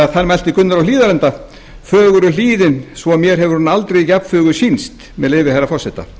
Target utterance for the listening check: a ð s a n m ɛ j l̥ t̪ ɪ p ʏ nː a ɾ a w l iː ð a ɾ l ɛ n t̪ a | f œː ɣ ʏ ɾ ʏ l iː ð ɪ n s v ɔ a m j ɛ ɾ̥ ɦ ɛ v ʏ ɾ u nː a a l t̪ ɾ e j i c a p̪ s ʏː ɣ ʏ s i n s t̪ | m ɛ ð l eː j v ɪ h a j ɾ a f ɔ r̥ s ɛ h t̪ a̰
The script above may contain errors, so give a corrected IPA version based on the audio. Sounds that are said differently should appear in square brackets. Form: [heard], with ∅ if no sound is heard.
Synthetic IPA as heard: a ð [θ] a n m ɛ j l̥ t̪ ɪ [k] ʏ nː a ɾ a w l iː ð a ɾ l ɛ n t̪ a | f œː ɣ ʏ ɾ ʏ l iː ð ɪ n s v ɔ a m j ɛ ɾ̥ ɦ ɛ v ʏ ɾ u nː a a l t̪ ɾ e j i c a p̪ [f] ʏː ɣ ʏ s i n s t̪ | m ɛ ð l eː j v ɪ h a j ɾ a f ɔ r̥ s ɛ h t̪ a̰